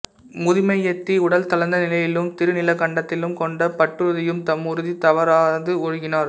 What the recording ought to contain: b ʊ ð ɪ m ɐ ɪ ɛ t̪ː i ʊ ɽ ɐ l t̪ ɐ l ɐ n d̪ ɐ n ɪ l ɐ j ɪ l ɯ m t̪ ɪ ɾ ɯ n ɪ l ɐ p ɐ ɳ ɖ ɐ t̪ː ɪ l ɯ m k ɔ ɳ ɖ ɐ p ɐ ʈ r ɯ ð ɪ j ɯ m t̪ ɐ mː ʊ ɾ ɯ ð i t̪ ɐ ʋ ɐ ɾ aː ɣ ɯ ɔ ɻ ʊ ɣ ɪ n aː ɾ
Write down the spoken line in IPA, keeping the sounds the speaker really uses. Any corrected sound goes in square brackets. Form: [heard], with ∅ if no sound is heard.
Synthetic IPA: [m] ʊ ð ɪ m ɐ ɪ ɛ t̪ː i ʊ ɽ ɐ l t̪ ɐ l ɐ n d̪ ɐ n ɪ l ɐ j ɪ l ɯ m t̪ ɪ ɾ ɯ n ɪ l ɐ [k] ɐ ɳ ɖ ɐ t̪ː ɪ l ɯ m k ɔ ɳ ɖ ɐ p ɐ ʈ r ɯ ð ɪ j ɯ m t̪ ɐ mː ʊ ɾ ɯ ð i t̪ ɐ ʋ ɐ ɾ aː [ð] ɯ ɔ ɻ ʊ ɣ ɪ n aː ɾ

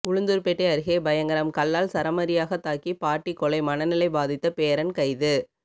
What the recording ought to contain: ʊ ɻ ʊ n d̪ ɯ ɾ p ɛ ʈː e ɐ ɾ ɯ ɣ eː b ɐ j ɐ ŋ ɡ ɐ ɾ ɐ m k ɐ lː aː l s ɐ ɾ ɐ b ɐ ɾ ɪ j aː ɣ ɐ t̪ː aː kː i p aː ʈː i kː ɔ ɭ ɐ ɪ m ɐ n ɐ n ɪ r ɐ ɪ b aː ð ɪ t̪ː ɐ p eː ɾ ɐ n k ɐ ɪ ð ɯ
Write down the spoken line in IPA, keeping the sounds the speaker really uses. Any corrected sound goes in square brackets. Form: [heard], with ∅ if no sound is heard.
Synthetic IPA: ʊ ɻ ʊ n d̪ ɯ ɾ p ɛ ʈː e ɐ ɾ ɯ ɣ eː b ɐ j ɐ ŋ ɡ ɐ ɾ ɐ m k ɐ lː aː l s ɐ ɾ ɐ [m] ɐ ɾ ɪ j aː ɣ ɐ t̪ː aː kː i p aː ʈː i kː ɔ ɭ ɐ ɪ m ɐ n ɐ n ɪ [l] ɐ ɪ b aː ð ɪ t̪ː ɐ p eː ɾ ɐ n k ɐ ɪ ð ɯ

